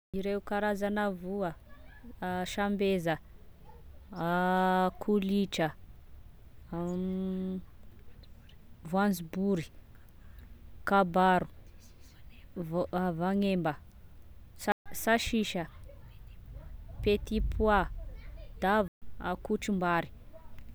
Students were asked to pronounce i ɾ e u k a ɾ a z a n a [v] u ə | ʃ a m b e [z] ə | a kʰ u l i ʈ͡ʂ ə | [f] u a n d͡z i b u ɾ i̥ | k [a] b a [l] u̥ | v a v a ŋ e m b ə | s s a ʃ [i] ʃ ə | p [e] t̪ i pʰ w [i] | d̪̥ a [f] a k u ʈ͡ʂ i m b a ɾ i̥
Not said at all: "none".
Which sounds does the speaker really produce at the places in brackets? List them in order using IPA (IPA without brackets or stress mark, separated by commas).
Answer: v, z, v, a, ɾ, i, e, a, v